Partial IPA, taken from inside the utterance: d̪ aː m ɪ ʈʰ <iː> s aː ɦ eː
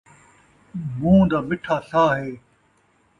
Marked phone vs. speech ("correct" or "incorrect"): incorrect